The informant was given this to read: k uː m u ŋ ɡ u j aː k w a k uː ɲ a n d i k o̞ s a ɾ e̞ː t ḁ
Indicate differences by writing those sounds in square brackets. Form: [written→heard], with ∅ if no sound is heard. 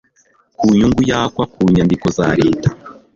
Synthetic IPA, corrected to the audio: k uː [m→ɲ] u ŋ ɡ u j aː k w a k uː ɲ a n d i k o̞ [s→z] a ɾ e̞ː t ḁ